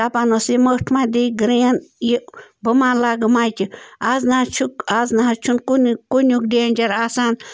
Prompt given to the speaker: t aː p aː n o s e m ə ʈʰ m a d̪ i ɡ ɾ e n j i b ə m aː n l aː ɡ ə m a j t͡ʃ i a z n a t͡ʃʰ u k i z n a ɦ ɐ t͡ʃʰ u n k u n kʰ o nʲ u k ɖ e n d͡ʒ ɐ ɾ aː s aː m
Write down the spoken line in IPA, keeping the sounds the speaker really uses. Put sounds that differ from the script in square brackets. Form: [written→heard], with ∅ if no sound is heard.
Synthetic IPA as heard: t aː p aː n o s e m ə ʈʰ m a d̪ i ɡ ɾ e n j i b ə m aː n l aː ɡ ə m a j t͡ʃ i a z n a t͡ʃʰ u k [i→a] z n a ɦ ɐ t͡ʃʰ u n k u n [kʰ→k] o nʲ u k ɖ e n d͡ʒ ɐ ɾ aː s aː [m→n]